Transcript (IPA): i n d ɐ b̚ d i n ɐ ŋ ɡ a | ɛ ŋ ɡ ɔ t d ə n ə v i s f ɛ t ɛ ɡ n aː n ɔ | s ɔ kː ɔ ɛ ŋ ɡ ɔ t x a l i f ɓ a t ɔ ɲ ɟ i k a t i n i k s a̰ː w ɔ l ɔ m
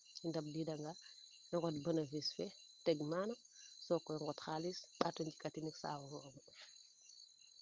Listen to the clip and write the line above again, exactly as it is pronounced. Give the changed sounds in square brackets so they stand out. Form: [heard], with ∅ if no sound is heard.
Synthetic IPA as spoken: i n d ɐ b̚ d i [d] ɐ ŋ ɡ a | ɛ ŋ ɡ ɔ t [b] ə n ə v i s f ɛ t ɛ ɡ [m] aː n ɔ | s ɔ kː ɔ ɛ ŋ ɡ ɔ t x a l i [s] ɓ a t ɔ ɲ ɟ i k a t i n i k s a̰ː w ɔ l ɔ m